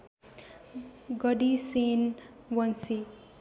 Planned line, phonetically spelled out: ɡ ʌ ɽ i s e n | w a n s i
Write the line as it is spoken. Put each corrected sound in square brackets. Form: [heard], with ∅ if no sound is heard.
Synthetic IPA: ɡ ʌ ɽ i s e n | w [ʌ] n s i